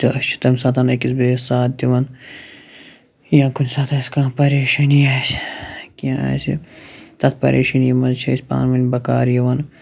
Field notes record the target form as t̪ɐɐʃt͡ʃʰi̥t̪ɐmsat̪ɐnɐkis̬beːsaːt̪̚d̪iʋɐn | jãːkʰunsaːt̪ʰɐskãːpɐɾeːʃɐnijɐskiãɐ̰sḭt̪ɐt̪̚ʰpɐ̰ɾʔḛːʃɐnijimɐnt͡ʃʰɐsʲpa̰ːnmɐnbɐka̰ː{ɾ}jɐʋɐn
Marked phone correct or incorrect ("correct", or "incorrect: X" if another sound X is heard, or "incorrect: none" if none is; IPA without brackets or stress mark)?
correct